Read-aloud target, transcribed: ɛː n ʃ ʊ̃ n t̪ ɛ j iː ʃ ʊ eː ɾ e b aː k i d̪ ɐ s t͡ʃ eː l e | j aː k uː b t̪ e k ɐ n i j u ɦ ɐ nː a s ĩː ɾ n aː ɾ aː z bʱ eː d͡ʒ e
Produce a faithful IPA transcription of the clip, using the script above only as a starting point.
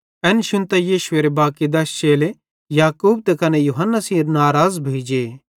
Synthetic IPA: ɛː n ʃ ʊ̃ n t̪ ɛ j iː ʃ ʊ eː ɾ e b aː k i d̪ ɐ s t͡ʃ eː l e | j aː k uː b t̪ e k ɐ n e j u ɦ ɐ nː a s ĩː ɾ n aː ɾ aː z bʱ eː d͡ʒ e